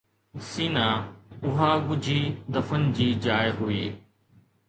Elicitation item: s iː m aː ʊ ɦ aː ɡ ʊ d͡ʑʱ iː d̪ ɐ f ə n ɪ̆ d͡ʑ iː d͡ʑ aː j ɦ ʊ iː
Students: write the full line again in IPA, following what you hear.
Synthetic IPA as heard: s iː n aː ʊ ɦ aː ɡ ʊ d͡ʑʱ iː d̪ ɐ f ə n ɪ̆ d͡ʑ iː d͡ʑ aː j ɦ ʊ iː